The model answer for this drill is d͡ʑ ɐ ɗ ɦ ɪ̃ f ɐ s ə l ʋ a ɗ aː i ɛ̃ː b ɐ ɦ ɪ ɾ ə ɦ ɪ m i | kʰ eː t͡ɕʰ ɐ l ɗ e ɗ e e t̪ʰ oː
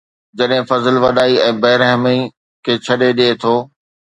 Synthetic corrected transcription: d͡ʑ ɐ ɗ ɦ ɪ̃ f ɐ z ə l ʋ ɐ ɗ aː i ɛ̃ː b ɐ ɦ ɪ ɾ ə ɦ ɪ m i | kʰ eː t͡ɕʰ ɐ ɗ e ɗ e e t̪ʰ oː